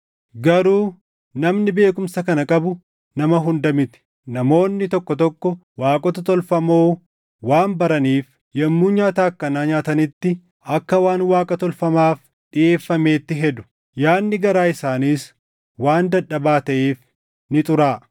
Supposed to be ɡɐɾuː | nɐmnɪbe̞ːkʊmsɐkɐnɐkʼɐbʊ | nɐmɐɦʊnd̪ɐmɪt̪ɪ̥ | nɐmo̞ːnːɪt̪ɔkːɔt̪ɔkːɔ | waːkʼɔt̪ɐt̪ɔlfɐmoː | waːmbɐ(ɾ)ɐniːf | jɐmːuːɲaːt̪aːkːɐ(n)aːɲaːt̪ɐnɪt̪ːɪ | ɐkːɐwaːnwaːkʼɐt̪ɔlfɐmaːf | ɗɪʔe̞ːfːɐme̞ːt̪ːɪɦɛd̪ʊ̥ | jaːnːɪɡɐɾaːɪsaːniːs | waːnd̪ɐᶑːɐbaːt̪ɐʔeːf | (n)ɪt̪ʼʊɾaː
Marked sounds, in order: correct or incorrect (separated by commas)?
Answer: correct, correct, correct